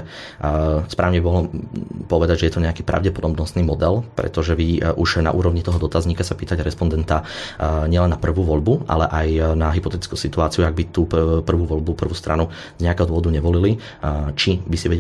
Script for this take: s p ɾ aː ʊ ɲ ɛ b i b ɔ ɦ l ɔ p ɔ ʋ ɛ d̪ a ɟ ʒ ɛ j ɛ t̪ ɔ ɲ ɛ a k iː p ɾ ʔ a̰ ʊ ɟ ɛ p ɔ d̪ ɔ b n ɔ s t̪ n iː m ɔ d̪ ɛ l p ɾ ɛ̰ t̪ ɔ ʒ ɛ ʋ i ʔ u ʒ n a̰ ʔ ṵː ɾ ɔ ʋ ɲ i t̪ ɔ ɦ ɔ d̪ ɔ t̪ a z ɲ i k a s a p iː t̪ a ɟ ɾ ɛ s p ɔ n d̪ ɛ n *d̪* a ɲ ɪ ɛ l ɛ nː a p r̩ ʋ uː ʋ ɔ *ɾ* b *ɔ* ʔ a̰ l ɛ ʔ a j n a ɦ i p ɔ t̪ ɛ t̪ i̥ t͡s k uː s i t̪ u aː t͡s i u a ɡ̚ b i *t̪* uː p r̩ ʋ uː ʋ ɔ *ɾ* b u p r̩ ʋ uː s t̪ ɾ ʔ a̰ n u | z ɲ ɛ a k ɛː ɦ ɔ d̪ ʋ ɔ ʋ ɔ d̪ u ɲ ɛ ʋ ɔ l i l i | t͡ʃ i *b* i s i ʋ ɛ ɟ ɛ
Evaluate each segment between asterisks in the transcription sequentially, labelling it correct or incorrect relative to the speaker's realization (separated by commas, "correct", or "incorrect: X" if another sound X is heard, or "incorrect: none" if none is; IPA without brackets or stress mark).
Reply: incorrect: t̪, incorrect: ʎ, incorrect: u, correct, incorrect: ʎ, correct